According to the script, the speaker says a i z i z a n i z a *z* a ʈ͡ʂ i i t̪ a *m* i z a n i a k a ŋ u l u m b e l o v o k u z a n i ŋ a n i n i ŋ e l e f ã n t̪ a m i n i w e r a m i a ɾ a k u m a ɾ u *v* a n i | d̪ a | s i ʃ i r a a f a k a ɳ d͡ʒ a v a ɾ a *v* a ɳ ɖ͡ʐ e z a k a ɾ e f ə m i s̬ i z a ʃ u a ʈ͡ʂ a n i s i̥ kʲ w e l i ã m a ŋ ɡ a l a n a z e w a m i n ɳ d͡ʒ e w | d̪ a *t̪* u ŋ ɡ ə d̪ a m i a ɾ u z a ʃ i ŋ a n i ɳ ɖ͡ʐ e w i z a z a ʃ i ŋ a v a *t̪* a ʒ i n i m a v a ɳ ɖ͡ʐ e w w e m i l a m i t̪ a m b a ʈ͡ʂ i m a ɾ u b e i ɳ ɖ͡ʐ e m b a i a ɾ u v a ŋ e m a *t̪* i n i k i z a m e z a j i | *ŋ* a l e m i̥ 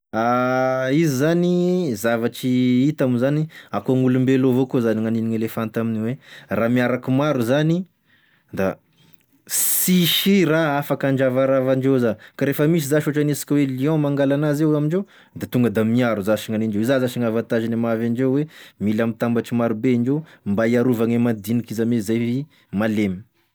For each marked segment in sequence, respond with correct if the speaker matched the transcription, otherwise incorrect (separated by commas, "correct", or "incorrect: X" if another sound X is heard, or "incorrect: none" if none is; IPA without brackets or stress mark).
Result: incorrect: v, correct, incorrect: z, correct, correct, correct, incorrect: d̪, incorrect: m